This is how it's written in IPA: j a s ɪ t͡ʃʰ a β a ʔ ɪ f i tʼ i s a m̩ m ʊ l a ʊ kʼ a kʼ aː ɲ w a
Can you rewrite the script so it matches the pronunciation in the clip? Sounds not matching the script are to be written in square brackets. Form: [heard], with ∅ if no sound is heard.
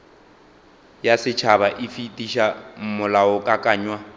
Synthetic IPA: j a s ɪ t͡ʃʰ a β a ʔ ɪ f i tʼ i [ʃ] a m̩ m ʊ l a ʊ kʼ a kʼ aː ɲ w a